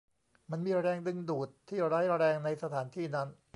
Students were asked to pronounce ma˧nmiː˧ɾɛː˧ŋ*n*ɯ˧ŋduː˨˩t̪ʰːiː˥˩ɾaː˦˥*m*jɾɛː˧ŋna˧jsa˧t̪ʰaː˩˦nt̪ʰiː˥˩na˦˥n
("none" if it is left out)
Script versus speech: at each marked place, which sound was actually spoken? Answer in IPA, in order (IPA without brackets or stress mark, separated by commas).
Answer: d, none